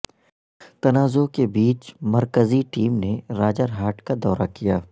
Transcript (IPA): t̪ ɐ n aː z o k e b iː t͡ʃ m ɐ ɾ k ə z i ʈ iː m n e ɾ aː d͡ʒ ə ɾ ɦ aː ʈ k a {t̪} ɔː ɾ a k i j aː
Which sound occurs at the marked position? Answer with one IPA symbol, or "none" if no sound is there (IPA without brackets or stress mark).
d̪